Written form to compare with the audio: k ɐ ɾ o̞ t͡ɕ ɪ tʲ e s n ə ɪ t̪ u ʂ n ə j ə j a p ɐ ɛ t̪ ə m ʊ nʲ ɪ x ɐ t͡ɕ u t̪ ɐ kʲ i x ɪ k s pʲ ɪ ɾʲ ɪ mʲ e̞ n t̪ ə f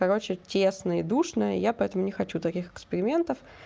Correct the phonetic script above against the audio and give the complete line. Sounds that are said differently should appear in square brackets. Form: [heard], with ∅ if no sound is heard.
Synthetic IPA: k ɐ ɾ o̞ t͡ɕ ɪ tʲ e s n ə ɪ [d̪] u ʂ n ə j ə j a p ɐ ɛ t̪ ə m ʊ nʲ ɪ x ɐ t͡ɕ u t̪ ɐ kʲ i x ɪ k s pʲ ɪ ɾʲ ɪ mʲ e̞ n t̪ ə f

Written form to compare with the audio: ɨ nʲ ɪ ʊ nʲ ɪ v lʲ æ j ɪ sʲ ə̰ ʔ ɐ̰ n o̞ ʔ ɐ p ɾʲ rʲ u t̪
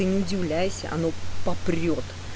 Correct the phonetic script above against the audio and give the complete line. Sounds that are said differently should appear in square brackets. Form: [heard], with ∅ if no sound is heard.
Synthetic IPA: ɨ nʲ ɪ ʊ [dʲ] ɪ v lʲ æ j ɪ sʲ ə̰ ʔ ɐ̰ n o̞ [p] ɐ p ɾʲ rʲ [o] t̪

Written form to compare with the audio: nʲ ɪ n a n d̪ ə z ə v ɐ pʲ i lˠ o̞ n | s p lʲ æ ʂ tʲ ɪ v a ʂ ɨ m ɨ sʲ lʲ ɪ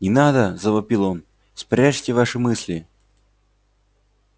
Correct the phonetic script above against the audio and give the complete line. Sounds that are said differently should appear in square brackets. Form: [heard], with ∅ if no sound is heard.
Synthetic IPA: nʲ ɪ n a [∅] d̪ ə z ə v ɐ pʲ i lˠ o̞ n | s p [ɾʲ] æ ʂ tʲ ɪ v a ʂ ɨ m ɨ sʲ lʲ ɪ

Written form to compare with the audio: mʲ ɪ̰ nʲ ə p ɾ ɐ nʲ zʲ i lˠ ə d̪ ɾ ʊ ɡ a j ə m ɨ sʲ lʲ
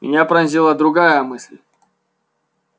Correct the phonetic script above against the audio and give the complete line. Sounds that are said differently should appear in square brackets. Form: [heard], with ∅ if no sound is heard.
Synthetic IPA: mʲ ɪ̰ nʲ [a] p ɾ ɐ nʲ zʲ i lˠ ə d̪ ɾ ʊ ɡ a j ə m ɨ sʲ lʲ

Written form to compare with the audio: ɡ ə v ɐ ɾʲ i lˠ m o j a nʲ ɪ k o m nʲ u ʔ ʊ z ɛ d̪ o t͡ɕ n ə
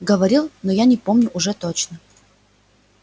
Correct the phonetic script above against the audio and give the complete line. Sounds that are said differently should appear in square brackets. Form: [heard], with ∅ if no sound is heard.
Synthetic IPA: ɡ ə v ɐ ɾʲ i lˠ [n] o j a nʲ ɪ [p] o m nʲ [ʊ] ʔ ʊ [ʐ] ɛ [t̪] o t͡ɕ n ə

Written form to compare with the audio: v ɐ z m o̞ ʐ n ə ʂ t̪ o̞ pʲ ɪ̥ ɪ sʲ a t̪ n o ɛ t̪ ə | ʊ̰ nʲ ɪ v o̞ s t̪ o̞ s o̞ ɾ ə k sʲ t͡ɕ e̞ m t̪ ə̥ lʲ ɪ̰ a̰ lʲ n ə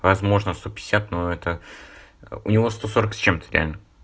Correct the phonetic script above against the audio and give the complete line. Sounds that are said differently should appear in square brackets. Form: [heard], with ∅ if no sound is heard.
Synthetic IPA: v ɐ z m o̞ ʐ n ə [s] t̪ o̞ pʲ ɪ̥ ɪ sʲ a t̪ n o ɛ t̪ ə | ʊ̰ nʲ ɪ v o̞ s t̪ o̞ s o̞ ɾ ə k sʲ t͡ɕ e̞ m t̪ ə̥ [ɾʲ] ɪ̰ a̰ lʲ n ə

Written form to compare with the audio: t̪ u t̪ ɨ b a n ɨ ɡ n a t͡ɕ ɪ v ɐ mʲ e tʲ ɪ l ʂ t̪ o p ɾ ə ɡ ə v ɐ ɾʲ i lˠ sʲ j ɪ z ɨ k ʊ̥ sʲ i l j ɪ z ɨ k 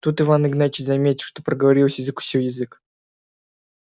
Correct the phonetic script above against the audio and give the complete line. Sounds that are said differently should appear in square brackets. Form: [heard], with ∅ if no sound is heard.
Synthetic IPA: t̪ u t̪ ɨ [v] a n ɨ ɡ n a t͡ɕ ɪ [z] ɐ mʲ e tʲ ɪ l ʂ t̪ o p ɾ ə ɡ ə v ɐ ɾʲ i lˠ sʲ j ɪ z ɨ k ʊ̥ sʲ i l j ɪ z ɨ k

